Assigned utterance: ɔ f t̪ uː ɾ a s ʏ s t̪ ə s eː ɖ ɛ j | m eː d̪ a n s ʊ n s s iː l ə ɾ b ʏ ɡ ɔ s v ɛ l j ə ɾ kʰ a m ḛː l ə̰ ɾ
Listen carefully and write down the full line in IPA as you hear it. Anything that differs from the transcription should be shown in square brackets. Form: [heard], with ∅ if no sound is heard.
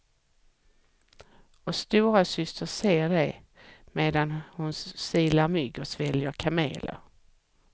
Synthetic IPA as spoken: ɔ [s] t̪ uː ɾ a s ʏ s t̪ ə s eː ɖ ɛ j | m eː d̪ a n [h] ʊ n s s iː l [a] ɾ [m] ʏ ɡ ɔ s v ɛ l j ə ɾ kʰ a m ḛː l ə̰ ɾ